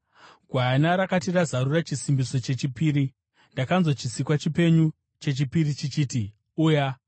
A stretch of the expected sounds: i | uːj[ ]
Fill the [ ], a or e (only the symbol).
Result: a